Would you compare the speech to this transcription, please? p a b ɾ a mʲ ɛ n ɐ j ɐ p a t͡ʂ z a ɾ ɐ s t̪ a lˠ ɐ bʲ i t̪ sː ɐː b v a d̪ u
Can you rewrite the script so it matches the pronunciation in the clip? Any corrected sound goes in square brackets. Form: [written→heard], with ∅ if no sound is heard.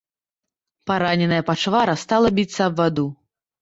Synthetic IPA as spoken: p a [b→∅] ɾ a [mʲ→nʲ] ɛ n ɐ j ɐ p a t͡ʂ [z→v] a ɾ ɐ s t̪ a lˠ ɐ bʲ i t̪ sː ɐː b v a d̪ u